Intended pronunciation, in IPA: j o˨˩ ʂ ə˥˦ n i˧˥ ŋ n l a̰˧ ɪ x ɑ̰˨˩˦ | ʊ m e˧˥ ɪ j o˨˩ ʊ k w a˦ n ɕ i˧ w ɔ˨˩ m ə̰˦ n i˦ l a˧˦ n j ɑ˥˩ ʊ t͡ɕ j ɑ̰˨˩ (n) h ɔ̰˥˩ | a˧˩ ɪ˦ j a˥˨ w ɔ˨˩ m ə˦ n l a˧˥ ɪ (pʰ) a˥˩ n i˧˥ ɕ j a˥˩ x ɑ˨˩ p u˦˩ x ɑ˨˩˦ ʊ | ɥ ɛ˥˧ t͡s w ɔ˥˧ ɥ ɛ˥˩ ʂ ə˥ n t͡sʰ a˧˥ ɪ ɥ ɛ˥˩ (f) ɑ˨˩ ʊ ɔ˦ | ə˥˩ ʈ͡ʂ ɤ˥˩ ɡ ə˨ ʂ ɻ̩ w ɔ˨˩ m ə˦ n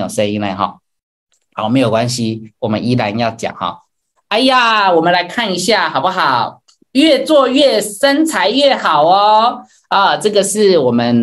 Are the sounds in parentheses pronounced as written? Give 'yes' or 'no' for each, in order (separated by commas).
no, no, no